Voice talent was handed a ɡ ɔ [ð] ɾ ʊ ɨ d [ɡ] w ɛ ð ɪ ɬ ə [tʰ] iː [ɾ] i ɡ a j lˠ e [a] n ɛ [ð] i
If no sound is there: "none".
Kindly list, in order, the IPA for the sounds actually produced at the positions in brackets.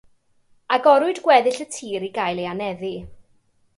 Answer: none, ɡ, tʰ, ɾ, a, ð

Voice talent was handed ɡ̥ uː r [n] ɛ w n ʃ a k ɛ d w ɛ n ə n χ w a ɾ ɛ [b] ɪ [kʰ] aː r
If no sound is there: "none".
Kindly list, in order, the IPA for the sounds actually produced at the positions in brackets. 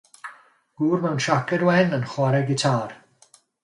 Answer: m, ɡ, tʰ

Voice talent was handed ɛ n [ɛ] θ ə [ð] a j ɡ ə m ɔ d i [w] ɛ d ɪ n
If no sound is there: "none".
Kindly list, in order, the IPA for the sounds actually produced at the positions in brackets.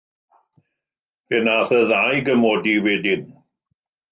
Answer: a, ð, w

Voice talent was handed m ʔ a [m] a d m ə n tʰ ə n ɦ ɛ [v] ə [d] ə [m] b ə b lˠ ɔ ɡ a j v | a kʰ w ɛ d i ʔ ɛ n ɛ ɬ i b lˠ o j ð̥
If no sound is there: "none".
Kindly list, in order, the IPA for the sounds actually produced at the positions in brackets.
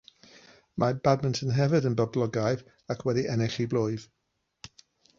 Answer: b, v, d, n

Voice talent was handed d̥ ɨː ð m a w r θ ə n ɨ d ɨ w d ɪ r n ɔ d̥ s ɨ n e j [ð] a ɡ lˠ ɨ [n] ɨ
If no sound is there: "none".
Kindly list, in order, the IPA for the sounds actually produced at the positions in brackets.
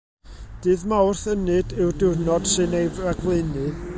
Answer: v, n

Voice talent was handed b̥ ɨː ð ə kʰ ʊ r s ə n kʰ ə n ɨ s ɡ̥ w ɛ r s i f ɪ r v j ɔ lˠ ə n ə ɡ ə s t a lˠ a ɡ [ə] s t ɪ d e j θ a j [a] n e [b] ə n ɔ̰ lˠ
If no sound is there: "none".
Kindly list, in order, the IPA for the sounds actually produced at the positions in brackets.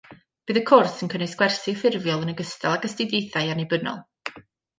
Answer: ə, a, b

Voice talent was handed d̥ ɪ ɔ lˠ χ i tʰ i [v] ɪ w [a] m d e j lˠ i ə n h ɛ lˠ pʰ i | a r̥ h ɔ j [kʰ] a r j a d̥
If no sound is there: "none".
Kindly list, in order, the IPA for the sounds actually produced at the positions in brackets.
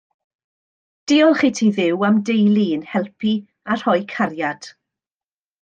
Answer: ð, a, kʰ

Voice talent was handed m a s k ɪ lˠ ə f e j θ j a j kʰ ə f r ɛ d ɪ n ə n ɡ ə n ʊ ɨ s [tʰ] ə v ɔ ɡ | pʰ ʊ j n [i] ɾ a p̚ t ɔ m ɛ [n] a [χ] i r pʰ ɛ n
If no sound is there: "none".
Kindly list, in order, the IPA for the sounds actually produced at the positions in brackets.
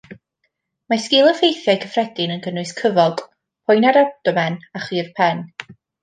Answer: kʰ, a, n, χ

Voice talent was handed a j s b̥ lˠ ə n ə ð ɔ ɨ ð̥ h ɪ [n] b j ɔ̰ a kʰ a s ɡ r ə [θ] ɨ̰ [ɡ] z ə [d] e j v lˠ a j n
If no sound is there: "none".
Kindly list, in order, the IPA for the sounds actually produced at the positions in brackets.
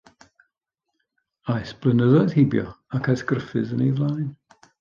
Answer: none, f, none, n

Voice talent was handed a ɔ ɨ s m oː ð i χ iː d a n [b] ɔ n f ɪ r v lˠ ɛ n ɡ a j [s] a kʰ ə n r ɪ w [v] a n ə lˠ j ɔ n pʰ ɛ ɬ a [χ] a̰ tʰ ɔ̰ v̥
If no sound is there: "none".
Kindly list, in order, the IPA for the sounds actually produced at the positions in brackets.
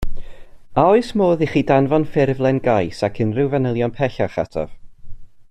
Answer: v, s, v, χ

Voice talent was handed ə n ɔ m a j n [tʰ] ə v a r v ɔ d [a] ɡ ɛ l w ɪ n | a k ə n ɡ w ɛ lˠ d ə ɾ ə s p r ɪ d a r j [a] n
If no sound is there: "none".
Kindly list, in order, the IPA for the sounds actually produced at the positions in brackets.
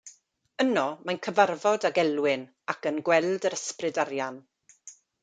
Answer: kʰ, a, a

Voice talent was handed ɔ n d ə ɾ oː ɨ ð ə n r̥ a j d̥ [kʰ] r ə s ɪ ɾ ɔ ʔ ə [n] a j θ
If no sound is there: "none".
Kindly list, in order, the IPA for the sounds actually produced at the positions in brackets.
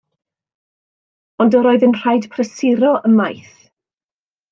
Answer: pʰ, m

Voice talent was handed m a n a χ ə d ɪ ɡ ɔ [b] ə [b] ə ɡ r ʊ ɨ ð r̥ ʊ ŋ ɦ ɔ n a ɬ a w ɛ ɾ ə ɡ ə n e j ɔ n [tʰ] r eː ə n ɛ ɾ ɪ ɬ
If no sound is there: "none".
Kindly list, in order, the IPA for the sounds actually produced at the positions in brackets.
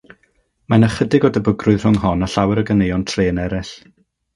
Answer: d, b, tʰ

